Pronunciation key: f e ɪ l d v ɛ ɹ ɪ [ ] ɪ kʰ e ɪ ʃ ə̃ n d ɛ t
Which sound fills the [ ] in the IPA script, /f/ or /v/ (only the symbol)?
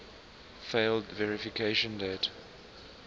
f